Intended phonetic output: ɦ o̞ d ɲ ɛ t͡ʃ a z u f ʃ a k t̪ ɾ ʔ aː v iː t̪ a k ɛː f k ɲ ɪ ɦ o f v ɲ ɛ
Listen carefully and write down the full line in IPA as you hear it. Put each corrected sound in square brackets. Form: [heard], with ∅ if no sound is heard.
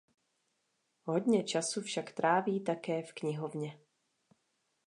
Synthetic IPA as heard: ɦ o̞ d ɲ ɛ t͡ʃ a [s] u f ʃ a k t̪ ɾ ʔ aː v iː t̪ a k ɛː f k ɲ ɪ ɦ o [∅] v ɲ ɛ